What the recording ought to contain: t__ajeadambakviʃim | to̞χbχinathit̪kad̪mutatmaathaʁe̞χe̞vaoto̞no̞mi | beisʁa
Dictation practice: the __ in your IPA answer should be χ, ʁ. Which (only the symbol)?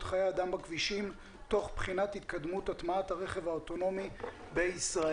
χ